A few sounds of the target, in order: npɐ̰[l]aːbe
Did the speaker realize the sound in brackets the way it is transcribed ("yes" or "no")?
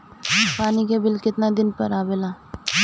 no